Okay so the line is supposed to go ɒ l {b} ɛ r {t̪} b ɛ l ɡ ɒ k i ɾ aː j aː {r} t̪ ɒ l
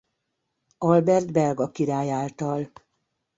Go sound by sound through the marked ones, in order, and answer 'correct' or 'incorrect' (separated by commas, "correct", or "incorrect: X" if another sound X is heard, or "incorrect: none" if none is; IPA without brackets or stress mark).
correct, incorrect: d̪, incorrect: l